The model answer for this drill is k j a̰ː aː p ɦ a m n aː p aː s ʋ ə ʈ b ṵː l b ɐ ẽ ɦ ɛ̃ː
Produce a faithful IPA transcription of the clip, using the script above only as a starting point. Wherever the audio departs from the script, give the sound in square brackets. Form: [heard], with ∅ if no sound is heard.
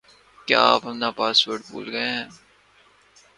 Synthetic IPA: k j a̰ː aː p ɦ [ɐ] m n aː p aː s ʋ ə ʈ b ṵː l [ɡ] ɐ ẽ ɦ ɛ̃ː